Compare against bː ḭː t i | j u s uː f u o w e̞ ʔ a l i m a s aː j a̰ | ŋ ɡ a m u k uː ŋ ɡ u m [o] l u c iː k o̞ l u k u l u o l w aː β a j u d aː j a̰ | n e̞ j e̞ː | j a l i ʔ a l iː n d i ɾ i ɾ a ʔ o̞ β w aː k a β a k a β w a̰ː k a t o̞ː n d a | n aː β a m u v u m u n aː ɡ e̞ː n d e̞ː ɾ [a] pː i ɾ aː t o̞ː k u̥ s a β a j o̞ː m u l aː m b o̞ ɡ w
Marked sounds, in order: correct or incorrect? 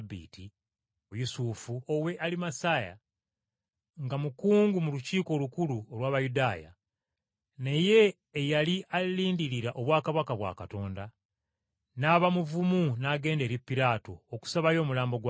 incorrect: u, incorrect: i

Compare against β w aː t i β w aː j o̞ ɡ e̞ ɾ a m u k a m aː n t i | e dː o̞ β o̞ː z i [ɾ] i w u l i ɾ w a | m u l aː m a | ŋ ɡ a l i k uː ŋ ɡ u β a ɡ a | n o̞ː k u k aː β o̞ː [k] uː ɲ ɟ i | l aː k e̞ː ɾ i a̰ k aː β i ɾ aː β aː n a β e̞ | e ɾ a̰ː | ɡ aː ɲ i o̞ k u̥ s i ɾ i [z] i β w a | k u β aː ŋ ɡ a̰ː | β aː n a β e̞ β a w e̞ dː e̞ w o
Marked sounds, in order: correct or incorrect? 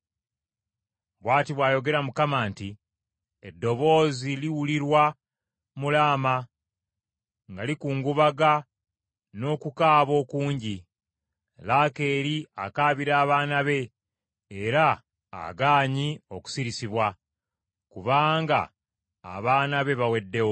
incorrect: l, correct, incorrect: s

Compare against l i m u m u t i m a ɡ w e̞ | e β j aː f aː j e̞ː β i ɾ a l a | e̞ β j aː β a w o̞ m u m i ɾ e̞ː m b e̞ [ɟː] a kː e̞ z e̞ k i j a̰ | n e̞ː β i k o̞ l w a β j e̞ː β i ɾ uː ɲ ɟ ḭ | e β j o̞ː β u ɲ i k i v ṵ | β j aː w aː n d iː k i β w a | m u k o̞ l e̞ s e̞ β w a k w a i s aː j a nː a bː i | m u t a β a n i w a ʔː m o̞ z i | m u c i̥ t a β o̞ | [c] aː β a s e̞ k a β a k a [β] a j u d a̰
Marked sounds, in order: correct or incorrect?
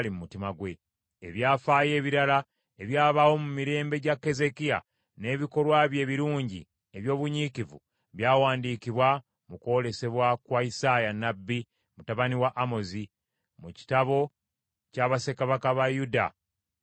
incorrect: ɟ, correct, correct

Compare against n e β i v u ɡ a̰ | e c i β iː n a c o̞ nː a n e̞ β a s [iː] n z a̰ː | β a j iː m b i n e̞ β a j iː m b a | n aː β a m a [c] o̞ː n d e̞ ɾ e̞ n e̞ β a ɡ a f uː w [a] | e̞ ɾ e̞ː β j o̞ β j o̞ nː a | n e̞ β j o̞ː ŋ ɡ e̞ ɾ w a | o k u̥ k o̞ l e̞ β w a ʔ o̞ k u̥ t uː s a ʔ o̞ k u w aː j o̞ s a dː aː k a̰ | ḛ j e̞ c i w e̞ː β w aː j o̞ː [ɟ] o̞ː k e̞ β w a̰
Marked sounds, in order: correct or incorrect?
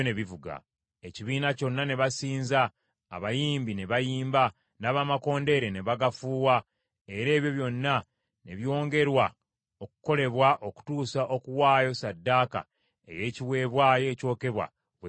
correct, incorrect: k, correct, incorrect: c

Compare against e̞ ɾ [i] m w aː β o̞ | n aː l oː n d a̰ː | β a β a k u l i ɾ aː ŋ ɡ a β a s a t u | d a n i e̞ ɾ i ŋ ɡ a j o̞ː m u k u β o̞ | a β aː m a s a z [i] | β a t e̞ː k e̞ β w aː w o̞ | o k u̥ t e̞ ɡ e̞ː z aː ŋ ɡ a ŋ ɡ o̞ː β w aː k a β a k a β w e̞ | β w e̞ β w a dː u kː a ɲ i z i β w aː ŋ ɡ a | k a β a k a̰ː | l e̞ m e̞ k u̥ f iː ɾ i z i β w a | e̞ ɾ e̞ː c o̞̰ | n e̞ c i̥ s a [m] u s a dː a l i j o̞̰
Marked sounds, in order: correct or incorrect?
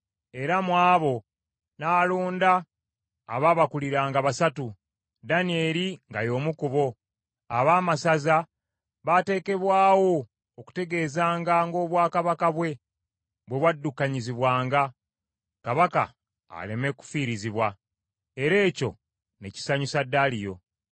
incorrect: a, incorrect: a, incorrect: ɲ

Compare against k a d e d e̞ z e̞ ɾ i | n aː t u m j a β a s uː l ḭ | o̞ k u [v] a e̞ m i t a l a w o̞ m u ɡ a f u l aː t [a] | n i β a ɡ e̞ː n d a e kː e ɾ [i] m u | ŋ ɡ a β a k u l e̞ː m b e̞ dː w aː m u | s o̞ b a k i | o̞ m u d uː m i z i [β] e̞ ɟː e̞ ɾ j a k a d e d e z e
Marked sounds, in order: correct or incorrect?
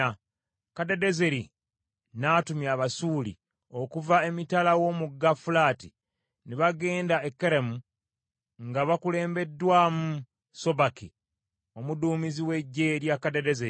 correct, incorrect: i, incorrect: e, incorrect: w

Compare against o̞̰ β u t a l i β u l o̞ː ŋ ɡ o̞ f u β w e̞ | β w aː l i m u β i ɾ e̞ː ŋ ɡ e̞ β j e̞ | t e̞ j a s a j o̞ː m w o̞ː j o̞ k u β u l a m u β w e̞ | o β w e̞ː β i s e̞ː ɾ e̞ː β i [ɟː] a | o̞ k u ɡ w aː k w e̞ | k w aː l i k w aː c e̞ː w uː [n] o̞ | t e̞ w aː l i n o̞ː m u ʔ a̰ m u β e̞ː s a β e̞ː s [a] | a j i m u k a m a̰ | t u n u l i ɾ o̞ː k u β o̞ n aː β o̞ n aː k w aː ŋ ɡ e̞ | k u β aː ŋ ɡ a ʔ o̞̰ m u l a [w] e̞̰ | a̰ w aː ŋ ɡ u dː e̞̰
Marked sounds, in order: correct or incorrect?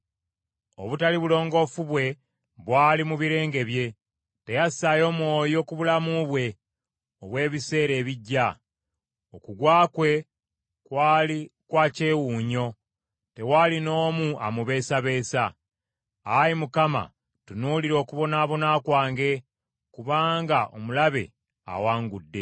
correct, incorrect: ɲ, correct, incorrect: β

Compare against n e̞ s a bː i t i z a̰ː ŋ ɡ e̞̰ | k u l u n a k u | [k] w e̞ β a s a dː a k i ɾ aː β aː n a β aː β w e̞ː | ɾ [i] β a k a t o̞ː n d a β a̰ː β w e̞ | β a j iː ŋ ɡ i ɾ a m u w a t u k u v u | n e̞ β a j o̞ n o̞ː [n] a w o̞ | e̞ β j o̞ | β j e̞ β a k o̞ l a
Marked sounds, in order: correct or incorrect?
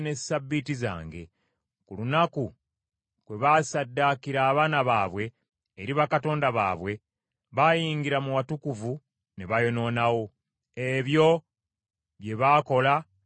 correct, correct, correct

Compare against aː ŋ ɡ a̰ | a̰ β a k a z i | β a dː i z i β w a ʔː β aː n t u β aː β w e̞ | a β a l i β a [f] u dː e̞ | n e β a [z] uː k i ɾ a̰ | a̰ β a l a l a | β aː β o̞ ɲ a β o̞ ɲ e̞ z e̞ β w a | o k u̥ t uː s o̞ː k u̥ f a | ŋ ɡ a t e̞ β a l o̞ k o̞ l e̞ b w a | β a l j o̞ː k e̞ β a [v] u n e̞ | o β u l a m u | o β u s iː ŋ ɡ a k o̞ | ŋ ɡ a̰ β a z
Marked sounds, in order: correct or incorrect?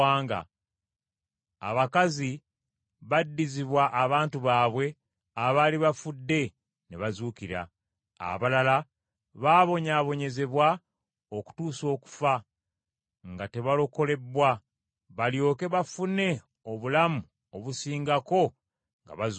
correct, correct, incorrect: f

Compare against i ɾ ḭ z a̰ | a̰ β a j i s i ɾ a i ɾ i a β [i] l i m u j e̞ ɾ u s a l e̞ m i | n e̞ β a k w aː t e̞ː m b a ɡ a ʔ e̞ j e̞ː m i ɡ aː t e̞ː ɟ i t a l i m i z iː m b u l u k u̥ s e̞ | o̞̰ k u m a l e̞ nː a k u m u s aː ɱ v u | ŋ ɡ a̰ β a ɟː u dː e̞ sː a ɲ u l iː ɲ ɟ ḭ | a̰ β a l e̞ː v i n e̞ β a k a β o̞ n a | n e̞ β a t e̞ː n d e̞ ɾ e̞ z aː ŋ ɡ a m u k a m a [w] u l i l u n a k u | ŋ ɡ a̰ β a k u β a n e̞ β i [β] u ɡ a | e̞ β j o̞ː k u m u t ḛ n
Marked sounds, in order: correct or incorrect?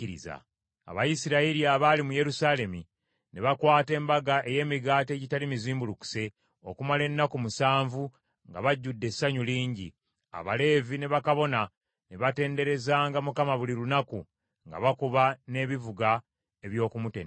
incorrect: a, incorrect: β, incorrect: v

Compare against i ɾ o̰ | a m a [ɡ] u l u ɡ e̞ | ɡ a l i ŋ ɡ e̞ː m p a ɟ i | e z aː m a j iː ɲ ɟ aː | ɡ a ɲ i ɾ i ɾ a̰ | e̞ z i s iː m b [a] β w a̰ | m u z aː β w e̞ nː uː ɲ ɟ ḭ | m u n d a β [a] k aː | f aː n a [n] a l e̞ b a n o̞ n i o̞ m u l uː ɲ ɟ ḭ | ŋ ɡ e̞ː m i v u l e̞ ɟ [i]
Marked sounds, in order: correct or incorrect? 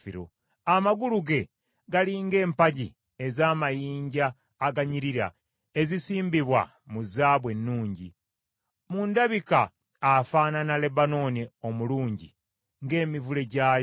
correct, incorrect: i, incorrect: i, correct, incorrect: a

